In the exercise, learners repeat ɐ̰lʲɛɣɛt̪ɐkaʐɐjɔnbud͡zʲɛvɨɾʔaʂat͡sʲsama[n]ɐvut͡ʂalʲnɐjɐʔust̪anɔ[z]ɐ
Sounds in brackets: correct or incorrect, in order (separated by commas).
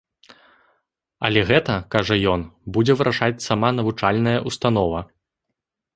correct, incorrect